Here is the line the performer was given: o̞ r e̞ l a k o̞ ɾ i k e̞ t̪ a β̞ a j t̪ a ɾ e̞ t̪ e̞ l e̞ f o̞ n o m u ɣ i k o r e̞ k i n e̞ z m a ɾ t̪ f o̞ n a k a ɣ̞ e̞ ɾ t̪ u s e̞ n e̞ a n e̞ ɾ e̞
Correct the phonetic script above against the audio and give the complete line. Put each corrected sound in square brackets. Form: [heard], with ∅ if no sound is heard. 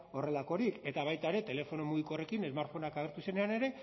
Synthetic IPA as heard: o̞ r e̞ l a k o̞ ɾ i k e̞ t̪ a β̞ a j t̪ a ɾ e̞ t̪ e̞ l e̞ f o̞ n o m u ɣ i k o r e̞ k i n e̞ z m a ɾ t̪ f o̞ n a k a ɣ̞ e̞ ɾ t̪ u s e̞ n e̞ a n e̞ ɾ e̞